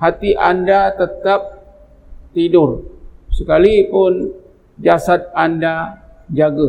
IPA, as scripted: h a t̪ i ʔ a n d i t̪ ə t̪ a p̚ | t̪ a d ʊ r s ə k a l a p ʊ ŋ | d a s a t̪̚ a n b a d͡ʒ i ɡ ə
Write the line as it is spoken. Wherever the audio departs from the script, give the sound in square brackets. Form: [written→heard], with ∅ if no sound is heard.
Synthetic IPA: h a t̪ i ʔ a n d [i→a] t̪ ə t̪ a p̚ | t̪ [a→i] d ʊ r s ə k a l [a→i] p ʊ [ŋ→n] | [d→d͡ʒ] a s a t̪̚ a n [b→d] a d͡ʒ [i→a] ɡ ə